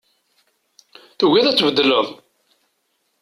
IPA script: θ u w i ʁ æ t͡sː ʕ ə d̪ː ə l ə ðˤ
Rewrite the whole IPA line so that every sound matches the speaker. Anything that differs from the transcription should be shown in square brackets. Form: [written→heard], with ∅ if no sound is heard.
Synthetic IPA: θ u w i [ʁ→ð] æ t͡sː [ʕ→v] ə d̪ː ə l ə ðˤ